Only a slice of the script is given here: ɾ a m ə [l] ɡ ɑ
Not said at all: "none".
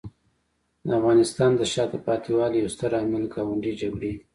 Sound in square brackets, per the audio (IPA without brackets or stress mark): l